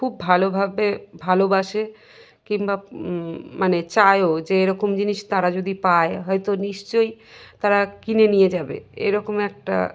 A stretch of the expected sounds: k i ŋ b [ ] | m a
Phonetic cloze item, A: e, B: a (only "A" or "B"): B